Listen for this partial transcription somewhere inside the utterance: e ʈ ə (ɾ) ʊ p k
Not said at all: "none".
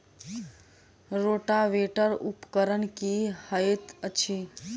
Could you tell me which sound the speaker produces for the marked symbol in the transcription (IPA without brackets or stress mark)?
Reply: ɾ